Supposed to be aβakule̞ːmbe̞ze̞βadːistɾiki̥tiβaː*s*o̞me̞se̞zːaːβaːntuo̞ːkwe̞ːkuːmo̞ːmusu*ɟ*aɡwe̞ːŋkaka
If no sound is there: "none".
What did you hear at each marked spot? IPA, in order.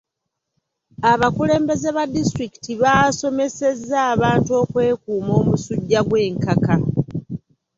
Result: s, ɟː

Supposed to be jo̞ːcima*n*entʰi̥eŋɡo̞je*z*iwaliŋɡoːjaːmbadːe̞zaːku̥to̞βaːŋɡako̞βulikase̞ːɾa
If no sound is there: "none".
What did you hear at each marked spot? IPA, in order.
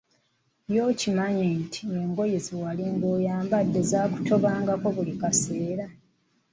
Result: ɲ, z

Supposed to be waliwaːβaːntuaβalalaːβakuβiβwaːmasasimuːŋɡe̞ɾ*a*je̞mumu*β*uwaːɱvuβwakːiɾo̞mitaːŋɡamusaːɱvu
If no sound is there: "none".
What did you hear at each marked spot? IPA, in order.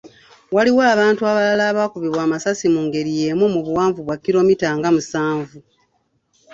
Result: i, β

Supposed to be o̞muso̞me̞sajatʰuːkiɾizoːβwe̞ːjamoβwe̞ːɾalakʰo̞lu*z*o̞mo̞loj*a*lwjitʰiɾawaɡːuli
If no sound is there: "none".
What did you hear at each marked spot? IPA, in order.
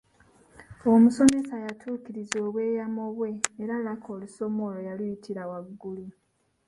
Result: s, a

